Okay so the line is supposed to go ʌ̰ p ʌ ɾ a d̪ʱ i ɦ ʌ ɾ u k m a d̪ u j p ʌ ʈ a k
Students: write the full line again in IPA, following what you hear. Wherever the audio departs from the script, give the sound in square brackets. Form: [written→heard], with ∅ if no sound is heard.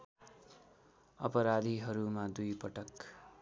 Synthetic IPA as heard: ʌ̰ p ʌ ɾ a d̪ʱ i ɦ ʌ ɾ u [k→∅] m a d̪ u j p ʌ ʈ [a→ʌ] k